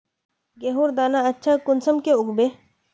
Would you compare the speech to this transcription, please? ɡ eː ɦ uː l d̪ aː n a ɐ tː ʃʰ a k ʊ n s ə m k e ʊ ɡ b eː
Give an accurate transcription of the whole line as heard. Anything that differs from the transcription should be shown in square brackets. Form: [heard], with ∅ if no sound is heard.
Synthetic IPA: ɡ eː ɦ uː [ɾ] d̪ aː n a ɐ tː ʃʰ a k ʊ n s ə m k e ʊ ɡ b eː